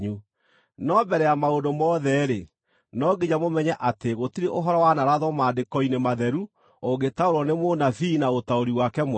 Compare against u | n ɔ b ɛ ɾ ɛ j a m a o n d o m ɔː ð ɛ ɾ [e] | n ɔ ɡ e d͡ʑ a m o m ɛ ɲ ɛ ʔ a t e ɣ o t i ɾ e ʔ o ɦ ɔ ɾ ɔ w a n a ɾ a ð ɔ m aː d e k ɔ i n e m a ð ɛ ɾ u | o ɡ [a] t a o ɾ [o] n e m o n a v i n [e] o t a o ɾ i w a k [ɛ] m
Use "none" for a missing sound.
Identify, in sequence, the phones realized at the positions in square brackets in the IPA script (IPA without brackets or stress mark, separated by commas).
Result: e, e, ɔ, a, ɛ